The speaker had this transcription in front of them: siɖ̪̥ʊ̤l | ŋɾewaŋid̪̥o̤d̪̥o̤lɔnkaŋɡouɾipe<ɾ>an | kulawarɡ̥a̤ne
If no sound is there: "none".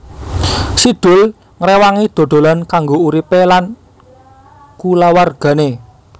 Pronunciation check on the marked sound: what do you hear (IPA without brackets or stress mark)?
l